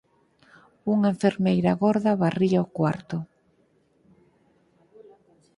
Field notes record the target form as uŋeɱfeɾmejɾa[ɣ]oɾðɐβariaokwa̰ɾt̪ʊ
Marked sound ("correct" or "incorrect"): correct